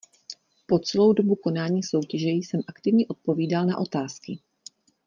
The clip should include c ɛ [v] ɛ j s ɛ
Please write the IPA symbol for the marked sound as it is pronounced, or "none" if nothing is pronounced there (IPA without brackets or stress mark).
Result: ʒ